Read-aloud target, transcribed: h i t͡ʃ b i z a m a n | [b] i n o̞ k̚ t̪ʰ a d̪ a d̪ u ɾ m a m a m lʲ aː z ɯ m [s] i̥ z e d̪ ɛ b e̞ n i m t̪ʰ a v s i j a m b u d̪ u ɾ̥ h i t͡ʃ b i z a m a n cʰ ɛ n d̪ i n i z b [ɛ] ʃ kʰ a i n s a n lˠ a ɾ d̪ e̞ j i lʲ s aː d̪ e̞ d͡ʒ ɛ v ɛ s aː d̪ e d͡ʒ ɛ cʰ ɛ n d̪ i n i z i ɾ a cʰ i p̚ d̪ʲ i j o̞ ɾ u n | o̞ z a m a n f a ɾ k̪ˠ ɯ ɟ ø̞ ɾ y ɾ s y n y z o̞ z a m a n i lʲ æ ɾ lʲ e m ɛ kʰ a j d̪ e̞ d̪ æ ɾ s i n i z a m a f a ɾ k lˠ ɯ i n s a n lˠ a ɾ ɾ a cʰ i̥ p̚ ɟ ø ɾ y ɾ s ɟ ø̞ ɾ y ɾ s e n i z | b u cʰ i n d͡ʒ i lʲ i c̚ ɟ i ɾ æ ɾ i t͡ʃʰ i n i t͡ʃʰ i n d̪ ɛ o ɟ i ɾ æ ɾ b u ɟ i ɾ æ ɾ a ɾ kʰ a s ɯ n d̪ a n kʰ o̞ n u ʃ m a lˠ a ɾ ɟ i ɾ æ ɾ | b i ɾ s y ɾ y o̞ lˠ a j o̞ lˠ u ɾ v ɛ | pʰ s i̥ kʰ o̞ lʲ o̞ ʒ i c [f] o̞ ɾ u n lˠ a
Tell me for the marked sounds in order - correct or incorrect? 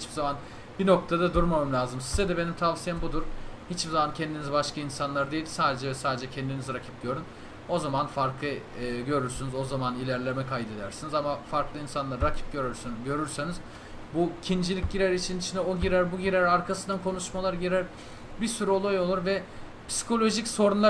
correct, correct, incorrect, incorrect

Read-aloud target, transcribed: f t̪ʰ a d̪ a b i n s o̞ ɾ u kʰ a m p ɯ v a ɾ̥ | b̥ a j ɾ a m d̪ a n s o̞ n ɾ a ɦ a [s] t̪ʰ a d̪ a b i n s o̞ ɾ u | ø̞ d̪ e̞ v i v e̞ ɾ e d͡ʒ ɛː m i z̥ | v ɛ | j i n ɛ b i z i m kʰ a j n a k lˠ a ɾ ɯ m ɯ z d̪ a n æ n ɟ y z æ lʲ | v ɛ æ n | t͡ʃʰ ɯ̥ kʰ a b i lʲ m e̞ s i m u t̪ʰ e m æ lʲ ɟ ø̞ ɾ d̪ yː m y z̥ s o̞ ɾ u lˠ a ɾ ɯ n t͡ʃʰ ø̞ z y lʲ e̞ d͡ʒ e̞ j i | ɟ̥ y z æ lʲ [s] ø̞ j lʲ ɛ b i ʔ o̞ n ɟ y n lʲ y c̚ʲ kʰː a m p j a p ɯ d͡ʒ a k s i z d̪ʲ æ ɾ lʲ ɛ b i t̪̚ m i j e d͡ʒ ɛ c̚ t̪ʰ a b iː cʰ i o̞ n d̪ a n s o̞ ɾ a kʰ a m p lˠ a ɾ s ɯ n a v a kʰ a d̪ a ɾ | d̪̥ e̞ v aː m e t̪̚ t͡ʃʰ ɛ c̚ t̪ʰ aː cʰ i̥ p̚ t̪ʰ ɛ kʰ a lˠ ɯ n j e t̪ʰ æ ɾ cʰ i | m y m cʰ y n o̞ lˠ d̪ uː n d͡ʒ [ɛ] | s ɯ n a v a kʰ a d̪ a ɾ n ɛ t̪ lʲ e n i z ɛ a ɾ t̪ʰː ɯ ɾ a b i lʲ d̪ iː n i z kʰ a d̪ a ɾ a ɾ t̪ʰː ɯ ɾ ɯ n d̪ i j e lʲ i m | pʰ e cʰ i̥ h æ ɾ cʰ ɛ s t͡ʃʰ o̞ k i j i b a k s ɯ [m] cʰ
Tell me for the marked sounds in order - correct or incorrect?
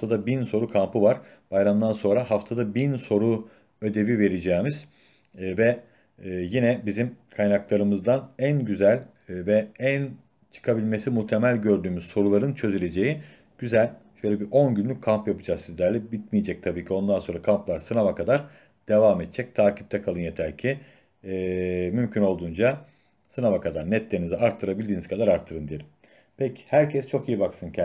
incorrect, incorrect, incorrect, incorrect

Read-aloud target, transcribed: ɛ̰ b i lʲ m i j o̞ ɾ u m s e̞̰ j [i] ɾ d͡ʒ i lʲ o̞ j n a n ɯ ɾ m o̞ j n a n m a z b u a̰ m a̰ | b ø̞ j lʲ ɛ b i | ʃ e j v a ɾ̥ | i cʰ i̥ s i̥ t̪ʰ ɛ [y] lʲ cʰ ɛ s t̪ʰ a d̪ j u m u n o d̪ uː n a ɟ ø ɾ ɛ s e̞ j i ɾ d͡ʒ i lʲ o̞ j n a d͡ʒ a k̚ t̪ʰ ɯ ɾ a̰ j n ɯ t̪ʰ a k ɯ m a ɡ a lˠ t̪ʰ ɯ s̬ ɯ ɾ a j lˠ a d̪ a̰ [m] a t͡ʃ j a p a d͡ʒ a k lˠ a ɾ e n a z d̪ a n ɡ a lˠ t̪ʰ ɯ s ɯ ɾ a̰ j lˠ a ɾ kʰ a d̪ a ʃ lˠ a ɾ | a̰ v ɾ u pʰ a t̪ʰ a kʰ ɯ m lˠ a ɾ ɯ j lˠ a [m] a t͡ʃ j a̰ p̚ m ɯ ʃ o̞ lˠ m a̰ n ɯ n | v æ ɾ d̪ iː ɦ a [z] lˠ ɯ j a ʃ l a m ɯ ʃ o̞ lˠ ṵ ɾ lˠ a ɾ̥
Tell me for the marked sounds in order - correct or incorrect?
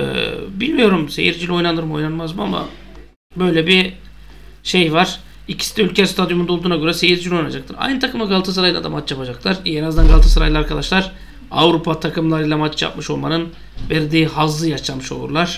correct, correct, correct, correct, correct

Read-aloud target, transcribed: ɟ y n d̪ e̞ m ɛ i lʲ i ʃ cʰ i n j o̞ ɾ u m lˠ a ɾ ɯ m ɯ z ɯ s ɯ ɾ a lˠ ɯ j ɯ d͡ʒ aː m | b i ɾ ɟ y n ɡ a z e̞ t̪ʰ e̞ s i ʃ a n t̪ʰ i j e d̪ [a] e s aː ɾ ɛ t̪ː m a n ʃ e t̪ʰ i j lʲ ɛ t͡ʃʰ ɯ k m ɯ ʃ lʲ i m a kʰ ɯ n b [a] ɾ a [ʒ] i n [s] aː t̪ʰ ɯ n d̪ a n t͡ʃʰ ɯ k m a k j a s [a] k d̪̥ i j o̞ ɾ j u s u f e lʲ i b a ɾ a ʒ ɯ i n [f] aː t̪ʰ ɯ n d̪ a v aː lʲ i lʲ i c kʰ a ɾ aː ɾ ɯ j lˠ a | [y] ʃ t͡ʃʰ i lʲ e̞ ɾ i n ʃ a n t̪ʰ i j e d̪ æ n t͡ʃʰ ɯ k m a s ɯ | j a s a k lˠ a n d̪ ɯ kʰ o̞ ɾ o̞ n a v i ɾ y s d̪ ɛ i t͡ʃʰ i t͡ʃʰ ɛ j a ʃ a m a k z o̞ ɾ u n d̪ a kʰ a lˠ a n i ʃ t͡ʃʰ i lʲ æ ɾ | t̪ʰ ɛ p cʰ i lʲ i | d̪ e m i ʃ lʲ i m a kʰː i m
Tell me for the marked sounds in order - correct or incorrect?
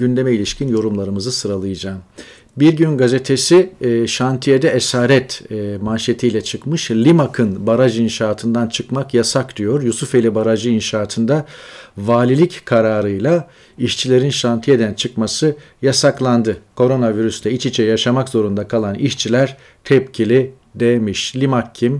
incorrect, correct, correct, incorrect, correct, incorrect, incorrect

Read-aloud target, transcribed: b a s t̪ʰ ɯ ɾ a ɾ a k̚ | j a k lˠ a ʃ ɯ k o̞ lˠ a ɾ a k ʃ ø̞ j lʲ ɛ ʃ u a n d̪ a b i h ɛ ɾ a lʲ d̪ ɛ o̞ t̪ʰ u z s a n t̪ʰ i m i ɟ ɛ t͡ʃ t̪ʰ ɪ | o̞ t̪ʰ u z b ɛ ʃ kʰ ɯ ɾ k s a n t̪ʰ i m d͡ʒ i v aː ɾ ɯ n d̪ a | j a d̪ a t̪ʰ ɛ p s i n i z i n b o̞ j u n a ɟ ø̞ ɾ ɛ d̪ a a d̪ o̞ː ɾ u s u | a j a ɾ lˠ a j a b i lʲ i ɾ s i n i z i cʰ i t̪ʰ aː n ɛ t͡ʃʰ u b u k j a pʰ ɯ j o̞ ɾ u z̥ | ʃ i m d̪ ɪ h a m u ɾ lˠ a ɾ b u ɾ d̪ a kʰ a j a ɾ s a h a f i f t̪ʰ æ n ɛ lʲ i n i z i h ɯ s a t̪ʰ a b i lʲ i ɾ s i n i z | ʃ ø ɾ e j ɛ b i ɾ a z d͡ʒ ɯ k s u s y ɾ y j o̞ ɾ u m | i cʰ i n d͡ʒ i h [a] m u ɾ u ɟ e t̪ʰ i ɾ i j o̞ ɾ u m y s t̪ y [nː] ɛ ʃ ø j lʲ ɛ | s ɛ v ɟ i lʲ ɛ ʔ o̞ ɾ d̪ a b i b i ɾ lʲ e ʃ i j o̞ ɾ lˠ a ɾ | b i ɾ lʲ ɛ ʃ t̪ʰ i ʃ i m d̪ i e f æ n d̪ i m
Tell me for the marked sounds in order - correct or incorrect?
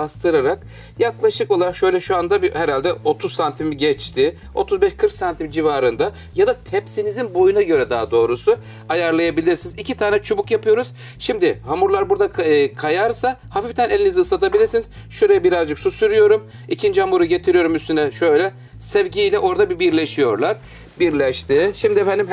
correct, incorrect

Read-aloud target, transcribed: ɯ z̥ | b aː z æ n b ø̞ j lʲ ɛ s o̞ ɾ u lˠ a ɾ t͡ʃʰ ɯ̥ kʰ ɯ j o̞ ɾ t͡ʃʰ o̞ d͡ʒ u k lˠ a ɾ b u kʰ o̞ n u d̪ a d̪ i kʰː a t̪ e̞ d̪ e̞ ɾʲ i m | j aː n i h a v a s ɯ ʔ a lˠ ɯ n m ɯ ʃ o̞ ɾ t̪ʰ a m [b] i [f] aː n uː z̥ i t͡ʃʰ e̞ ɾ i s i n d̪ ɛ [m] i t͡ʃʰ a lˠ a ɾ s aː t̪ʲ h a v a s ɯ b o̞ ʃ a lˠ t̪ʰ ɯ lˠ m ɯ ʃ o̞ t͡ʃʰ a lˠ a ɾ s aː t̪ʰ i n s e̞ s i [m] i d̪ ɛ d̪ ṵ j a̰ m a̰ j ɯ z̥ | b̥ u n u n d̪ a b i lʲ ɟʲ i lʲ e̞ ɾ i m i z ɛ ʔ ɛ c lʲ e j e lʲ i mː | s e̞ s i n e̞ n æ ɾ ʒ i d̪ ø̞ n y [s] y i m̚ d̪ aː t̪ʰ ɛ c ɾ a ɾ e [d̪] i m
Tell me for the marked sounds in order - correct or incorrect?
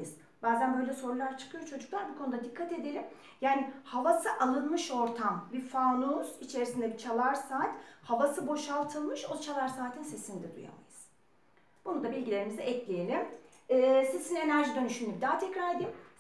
correct, correct, incorrect, incorrect, incorrect, correct

